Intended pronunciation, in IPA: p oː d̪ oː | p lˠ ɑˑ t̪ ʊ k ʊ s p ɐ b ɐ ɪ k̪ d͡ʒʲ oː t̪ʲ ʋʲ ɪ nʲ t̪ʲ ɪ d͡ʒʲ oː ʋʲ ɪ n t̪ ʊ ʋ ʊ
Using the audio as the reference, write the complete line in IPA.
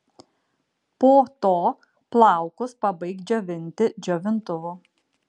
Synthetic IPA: p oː t̪ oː | p lˠ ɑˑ ʊ k ʊ s p ɐ b ɐ ɪ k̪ d͡ʒʲ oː ʋʲ ɪ nʲ t̪ʲ ɪ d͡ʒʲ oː ʋʲ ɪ n t̪ ʊ ʋ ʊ